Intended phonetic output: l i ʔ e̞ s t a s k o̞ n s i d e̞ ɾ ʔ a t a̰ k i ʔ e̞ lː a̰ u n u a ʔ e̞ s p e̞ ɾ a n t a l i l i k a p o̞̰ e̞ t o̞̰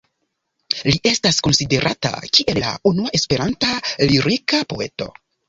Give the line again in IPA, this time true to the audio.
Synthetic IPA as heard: l i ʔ e̞ s t a s k o̞ n s i d e̞ ɾ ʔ a t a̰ k i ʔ e̞ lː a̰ u n u a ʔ e̞ s p e̞ ɾ a n t a l i ɾ i k a p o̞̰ e̞ t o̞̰

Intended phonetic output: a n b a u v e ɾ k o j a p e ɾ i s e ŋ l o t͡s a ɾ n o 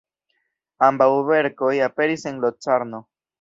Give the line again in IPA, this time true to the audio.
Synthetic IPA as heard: a m b a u β e ɾ k o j a p e ɾ i s e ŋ l o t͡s a ɾ n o

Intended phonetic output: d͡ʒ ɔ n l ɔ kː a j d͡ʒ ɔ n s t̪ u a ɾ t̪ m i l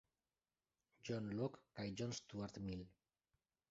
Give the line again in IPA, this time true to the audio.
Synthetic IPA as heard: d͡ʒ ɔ n l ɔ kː a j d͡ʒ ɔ n s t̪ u a ɾ t̪ m i l

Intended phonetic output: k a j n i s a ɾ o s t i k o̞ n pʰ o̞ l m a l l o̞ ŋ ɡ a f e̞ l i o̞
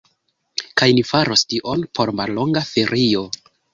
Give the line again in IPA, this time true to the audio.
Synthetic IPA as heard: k a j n i f a ɾ o s t i ʔ o̞ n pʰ o̞ ɾ m a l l o̞ ŋ ɡ a f e̞ ɾ i o̞

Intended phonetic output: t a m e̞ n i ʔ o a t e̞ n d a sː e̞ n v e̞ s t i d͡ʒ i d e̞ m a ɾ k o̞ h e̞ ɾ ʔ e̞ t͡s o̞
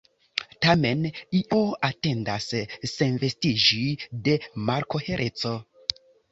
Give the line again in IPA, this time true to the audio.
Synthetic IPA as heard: t a m e̞ n i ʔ o a t e̞ n d a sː e̞ n v e̞ s t i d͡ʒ i d e̞ m a ɾ k o̞ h e̞ ɾ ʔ e̞ t͡s o̞

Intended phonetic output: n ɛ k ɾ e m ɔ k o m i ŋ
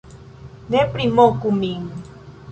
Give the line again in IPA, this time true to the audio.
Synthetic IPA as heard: n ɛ p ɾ i m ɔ k u m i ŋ

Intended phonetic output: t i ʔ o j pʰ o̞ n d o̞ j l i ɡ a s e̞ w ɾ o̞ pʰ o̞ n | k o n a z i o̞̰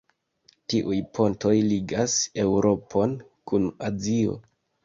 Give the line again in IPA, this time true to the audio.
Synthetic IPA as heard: t i ʔ u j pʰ o̞ n t o̞ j l i ɡ a s e̞ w ɾ o̞ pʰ o̞ n | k u n a z i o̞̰

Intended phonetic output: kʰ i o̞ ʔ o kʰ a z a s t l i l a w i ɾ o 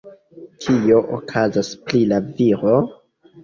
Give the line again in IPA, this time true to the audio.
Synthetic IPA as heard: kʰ i o̞ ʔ o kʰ a z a s p l i l a v i ɾ o

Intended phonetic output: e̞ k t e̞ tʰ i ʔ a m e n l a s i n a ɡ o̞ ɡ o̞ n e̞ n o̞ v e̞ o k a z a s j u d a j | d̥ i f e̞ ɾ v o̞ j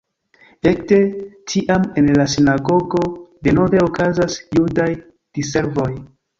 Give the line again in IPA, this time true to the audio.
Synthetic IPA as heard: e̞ k t e̞ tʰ i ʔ a m e n l a s i n a ɡ o̞ ɡ o̞ d e̞ n o̞ v e̞ o k a z a s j u d a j | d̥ i s e̞ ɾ v o̞ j

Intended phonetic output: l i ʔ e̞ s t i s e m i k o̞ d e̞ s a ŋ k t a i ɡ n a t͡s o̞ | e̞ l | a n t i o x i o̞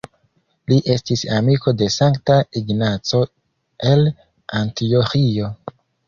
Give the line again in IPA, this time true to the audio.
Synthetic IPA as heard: l i ʔ e̞ s t i s a m i k o̞ d e̞ s a ŋ k t a i ɡ n a t͡s o̞ | e̞ l | a n t i o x i o̞

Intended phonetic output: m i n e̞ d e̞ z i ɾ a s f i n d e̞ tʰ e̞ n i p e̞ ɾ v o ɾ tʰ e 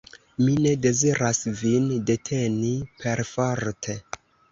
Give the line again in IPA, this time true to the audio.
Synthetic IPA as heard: m i n e̞ d e̞ z i ɾ a s v i n d e̞ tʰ e̞ n i p e̞ ɾ f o ɾ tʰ e

